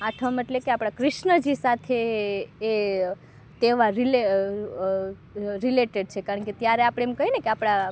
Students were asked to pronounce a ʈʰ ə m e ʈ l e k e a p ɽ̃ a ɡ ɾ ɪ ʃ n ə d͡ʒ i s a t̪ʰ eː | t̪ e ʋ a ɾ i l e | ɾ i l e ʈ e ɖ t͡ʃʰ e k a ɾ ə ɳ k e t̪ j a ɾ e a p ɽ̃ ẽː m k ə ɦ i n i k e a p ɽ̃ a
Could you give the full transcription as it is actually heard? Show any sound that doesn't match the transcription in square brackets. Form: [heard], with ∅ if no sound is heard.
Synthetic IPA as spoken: a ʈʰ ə m e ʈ l e k e a p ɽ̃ a [k] ɾ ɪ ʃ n ə d͡ʒ i s a t̪ʰ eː | t̪ e ʋ a ɾ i l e | ɾ i l e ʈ e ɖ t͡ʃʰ e k a ɾ ə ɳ k e t̪ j a ɾ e a p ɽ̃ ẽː m k ə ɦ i n [e] k e a p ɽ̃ a